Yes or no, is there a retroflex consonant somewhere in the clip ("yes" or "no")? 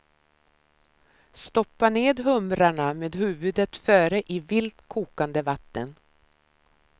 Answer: yes